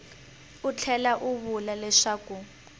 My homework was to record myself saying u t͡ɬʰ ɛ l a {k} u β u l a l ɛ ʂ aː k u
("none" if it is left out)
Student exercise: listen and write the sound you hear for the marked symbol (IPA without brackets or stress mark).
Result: ʔ